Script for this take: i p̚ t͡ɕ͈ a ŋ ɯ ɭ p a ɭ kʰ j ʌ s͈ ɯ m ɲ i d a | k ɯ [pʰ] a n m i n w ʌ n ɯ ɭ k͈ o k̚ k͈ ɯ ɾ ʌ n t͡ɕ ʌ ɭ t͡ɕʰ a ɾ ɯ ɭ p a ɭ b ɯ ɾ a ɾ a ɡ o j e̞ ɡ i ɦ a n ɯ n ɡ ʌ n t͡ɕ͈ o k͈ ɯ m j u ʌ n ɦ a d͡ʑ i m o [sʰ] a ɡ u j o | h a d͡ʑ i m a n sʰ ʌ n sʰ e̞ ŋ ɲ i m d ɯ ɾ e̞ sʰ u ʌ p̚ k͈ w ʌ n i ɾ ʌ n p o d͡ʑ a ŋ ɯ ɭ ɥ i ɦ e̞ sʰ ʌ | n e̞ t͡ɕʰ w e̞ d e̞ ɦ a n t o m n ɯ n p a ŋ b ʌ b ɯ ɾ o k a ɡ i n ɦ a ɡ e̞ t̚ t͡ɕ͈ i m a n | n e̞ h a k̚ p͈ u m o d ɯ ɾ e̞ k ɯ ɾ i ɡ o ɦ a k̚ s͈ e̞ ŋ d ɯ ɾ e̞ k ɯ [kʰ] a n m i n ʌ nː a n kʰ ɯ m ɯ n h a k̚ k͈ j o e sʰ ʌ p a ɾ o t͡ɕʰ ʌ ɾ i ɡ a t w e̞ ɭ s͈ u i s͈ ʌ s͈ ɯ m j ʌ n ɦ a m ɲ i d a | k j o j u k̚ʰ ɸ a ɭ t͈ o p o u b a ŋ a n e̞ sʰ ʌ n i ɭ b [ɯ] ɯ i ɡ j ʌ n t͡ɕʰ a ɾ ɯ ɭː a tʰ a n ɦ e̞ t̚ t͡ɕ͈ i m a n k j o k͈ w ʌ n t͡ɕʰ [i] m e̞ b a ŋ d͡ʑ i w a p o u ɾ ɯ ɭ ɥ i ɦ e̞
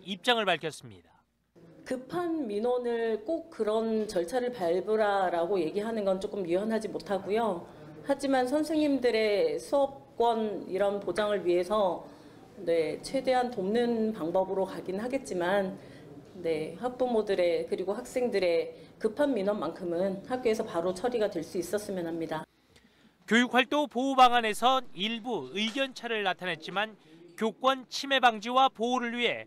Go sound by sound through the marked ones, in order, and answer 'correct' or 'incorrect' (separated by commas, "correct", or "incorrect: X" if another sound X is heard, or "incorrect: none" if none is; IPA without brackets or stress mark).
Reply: correct, incorrect: tʰ, incorrect: pʰ, incorrect: u, correct